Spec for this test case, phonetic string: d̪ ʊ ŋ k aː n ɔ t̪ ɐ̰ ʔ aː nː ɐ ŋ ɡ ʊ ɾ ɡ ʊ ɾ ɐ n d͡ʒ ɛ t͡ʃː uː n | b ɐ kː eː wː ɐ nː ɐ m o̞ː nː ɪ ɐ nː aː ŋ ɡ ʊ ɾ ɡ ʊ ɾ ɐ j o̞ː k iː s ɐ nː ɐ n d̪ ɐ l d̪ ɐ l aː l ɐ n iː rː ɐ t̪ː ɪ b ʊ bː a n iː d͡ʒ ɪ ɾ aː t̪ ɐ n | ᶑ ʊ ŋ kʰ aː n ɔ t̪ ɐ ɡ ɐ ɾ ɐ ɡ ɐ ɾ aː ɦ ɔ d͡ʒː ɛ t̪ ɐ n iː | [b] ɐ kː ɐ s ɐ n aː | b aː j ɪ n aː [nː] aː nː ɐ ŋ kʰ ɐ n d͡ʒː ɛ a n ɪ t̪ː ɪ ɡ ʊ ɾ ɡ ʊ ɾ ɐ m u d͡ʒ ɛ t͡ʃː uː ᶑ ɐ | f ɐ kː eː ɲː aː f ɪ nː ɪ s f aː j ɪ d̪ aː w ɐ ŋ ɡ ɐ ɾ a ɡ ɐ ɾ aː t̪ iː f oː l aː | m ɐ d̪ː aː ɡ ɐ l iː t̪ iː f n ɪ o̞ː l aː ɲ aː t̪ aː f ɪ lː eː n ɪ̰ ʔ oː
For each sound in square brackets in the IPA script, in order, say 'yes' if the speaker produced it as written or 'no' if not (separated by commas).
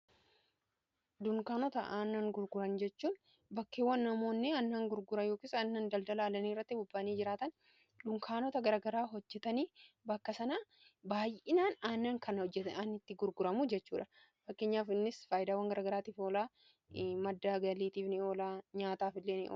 yes, no